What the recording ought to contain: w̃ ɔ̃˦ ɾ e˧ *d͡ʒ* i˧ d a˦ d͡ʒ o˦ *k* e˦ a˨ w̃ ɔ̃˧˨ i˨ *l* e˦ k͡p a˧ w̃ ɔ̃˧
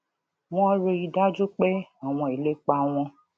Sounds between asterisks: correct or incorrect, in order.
incorrect: none, incorrect: k͡p, correct

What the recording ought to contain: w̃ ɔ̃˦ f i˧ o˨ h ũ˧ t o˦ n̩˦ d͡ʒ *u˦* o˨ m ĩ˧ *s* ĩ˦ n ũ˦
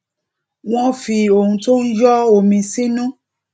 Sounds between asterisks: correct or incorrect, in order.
incorrect: ɔ˦, correct

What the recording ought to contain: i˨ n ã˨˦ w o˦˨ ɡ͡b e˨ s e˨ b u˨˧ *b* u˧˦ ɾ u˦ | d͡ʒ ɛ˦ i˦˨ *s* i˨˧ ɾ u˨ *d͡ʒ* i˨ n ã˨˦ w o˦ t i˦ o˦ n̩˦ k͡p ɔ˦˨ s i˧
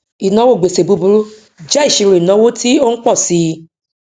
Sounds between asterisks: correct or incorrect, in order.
correct, incorrect: ʃ, incorrect: none

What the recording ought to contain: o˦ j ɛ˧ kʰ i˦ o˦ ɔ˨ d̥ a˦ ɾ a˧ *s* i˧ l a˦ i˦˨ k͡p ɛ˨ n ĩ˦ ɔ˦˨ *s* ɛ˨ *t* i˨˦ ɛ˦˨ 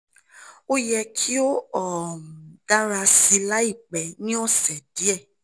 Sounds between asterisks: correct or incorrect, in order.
correct, correct, incorrect: d

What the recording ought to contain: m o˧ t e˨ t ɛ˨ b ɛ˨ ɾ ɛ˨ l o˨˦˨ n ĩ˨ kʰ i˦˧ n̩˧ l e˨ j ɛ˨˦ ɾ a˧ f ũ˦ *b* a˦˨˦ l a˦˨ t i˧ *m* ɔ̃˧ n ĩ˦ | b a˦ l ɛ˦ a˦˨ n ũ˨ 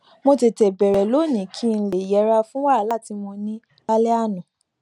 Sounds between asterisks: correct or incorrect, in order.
incorrect: w, correct

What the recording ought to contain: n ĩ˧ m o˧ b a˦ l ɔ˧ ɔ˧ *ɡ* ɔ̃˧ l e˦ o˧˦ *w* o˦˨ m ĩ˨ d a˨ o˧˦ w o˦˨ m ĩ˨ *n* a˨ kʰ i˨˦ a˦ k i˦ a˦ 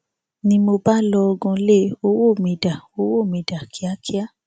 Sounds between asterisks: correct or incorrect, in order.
correct, correct, incorrect: d

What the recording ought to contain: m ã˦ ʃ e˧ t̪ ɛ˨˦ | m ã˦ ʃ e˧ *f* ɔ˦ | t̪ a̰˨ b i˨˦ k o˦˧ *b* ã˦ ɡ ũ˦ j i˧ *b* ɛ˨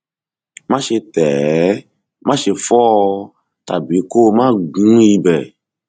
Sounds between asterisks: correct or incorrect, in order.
correct, incorrect: m, correct

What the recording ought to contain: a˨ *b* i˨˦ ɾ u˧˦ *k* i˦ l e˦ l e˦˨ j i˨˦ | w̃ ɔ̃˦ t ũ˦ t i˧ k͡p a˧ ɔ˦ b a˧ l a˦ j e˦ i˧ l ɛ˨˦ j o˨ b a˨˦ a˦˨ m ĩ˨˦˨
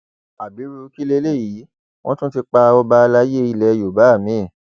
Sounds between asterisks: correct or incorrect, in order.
correct, correct

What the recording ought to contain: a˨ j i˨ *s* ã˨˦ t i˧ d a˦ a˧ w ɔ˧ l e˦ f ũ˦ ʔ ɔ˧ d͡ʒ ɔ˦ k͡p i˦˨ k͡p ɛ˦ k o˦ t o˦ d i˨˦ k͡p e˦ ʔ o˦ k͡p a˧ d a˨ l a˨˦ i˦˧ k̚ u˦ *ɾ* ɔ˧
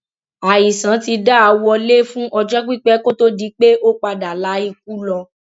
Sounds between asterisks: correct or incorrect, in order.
correct, incorrect: l

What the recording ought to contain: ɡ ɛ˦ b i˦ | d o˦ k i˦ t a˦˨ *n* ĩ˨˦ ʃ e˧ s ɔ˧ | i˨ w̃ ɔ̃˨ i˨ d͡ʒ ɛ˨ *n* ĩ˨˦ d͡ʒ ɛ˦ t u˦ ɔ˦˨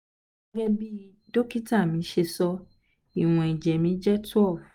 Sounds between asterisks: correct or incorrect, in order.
incorrect: m, incorrect: m

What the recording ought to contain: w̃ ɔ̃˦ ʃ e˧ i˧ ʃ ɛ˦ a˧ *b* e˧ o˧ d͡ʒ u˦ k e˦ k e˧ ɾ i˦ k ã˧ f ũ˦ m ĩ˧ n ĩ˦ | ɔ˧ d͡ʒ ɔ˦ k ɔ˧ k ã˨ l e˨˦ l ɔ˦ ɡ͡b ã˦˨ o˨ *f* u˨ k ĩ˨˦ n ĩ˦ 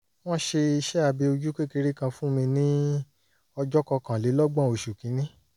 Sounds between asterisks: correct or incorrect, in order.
correct, incorrect: ʃ

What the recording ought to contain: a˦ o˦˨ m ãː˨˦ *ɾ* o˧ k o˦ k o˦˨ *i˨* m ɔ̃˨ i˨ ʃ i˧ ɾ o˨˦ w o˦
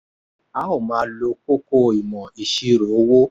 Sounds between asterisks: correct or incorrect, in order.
incorrect: l, correct

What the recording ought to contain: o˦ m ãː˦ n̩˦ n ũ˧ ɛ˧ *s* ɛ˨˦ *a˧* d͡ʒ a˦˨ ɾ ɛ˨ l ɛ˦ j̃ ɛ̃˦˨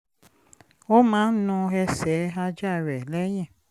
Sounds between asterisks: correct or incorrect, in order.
correct, correct

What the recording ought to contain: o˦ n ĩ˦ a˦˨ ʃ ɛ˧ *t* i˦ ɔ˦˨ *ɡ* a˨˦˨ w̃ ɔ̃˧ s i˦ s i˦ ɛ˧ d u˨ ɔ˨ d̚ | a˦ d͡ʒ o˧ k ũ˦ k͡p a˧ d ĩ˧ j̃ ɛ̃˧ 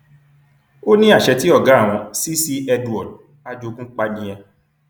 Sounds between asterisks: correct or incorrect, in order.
correct, correct

